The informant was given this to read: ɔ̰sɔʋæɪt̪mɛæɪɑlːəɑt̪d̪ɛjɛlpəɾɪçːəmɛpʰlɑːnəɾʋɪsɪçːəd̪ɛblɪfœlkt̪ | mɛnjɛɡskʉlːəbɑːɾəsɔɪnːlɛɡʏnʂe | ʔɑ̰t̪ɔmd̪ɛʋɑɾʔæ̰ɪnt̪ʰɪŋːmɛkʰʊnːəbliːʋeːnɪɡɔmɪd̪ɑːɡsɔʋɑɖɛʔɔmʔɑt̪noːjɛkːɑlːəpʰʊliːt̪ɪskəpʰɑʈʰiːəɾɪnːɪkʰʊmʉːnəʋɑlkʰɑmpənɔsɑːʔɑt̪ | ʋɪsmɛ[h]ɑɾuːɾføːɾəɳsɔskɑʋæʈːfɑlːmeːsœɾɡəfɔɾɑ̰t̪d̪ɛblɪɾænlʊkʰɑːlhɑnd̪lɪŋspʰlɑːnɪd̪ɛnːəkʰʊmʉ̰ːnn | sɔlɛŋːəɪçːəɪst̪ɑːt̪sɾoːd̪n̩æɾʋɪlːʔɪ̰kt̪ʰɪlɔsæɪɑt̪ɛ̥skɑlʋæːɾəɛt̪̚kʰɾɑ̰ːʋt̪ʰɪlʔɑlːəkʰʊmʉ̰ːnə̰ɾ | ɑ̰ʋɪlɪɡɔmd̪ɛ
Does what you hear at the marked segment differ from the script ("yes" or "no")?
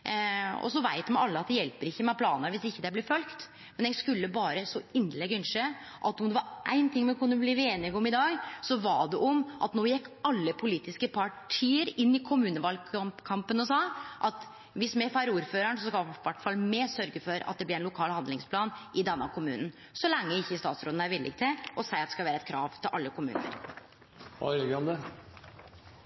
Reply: yes